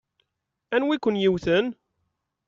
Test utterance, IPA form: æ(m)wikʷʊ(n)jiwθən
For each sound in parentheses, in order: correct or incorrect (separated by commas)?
incorrect, correct